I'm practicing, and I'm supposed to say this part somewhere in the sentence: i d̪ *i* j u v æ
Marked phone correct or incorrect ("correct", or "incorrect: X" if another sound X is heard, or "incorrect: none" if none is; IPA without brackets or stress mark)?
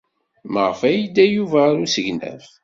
incorrect: æ